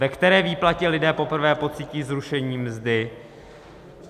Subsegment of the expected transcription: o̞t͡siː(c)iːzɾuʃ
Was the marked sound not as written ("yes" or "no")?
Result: no